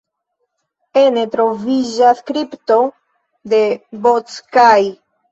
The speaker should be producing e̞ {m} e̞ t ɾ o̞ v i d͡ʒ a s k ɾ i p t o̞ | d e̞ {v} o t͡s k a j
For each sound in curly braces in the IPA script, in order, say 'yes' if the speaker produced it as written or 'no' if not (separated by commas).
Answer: no, no